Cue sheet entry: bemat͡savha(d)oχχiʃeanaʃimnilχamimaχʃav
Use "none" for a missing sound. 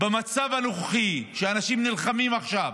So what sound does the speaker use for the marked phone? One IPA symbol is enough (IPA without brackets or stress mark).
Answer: n